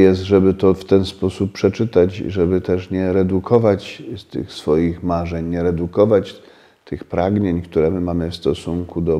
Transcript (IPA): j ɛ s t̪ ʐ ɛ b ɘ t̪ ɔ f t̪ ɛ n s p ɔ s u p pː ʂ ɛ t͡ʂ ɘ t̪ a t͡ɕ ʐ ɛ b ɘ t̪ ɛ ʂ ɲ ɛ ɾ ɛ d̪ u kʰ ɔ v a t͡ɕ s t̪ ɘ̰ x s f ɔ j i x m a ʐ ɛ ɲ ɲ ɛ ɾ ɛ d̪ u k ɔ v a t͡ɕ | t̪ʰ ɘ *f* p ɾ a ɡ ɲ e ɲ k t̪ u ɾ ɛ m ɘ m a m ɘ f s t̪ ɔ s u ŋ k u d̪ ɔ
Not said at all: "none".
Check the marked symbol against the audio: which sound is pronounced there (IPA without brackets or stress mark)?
x